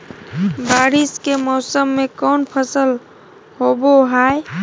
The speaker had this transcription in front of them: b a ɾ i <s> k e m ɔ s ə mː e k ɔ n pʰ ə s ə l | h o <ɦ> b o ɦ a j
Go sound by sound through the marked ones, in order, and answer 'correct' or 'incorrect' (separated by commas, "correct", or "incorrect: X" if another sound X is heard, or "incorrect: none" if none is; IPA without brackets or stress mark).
correct, incorrect: none